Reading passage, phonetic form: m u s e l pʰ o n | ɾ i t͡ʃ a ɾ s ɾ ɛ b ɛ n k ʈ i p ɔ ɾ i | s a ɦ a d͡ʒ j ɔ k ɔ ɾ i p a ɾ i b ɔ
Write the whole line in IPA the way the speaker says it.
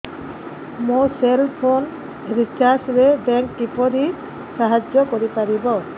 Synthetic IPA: m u s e l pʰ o n | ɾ i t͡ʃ a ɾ s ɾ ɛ b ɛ ŋ k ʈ i p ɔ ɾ i | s a ɦ a d͡ʒ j ɔ k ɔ ɾ i p a ɾ i b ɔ